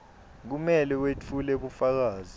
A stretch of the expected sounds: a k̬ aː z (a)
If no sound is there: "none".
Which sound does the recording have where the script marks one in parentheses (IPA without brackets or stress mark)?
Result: i